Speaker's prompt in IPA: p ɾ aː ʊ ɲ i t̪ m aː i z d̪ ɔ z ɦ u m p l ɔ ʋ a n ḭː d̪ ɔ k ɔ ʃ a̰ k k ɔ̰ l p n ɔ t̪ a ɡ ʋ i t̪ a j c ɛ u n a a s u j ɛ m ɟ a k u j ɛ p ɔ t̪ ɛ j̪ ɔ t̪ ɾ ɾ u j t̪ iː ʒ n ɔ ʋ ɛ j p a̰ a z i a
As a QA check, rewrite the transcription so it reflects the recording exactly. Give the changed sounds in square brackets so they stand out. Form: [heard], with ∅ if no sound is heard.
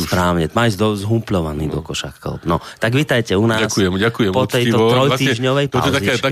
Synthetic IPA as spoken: p ɾ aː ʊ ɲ [ɛ] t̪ m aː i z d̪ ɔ z ɦ u m p l ɔ ʋ a n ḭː d̪ ɔ k ɔ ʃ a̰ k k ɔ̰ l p n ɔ t̪ a ɡ ʋ i t̪ a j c ɛ u n a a s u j ɛ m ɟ a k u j ɛ p ɔ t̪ ɛ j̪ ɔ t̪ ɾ ɾ [ɔ] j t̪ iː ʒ [ɲ] ɔ ʋ ɛ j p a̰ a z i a